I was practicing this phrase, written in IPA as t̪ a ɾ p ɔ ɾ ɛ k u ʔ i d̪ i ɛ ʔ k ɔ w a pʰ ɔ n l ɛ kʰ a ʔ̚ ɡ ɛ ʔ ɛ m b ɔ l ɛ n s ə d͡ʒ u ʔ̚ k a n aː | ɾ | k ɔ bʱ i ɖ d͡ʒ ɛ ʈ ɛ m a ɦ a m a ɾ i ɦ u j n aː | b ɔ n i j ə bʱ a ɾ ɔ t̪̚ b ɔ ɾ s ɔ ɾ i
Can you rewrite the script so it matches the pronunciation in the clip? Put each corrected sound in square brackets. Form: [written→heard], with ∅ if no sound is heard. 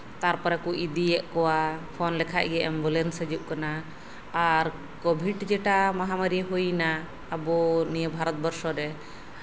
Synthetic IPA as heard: t̪ a ɾ p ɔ ɾ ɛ k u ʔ i d̪ i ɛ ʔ k ɔ w a pʰ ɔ n l ɛ kʰ a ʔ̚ ɡ ɛ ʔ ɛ m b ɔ l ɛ n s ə d͡ʒ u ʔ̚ k a n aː | ɾ | k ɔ bʱ i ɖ d͡ʒ ɛ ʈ [ɛ→a] m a ɦ a m a ɾ i ɦ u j n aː | b ɔ n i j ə bʱ a ɾ ɔ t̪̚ b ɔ ɾ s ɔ ɾ [i→ɛ]